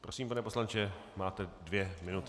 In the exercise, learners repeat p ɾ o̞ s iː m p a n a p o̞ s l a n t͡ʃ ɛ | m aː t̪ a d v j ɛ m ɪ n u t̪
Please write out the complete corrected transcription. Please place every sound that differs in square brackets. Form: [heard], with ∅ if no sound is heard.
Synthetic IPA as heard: p ɾ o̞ s iː m p a n [ɛ] p o̞ s l a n t͡ʃ ɛ | m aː t̪ [ɛ] d v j ɛ m ɪ n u t̪